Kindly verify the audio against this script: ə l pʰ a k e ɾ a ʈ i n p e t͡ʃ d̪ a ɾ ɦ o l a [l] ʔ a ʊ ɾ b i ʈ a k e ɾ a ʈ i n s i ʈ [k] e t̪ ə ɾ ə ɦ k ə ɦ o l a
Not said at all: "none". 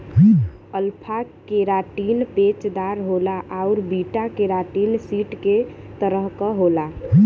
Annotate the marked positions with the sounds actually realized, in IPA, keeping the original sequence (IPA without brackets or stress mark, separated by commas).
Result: none, k